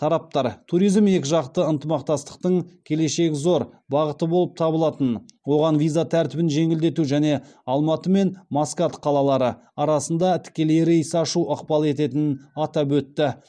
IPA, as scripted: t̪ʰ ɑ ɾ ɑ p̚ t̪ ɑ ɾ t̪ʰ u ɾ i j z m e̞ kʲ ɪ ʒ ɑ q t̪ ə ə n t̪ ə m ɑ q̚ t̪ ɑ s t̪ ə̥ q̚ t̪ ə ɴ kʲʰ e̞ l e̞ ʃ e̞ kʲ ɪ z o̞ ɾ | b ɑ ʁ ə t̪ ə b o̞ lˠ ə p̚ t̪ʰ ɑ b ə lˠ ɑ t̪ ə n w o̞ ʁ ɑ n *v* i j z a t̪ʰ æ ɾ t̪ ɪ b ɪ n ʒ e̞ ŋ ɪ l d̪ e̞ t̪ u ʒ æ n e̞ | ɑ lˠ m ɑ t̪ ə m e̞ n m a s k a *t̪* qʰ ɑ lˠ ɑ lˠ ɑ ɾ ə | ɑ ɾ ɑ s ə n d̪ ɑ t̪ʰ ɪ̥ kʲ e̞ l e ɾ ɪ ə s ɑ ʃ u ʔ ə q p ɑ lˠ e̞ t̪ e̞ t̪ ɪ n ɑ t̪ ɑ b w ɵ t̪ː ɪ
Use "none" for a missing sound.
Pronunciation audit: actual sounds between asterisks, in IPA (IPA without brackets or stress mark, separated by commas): v, t̪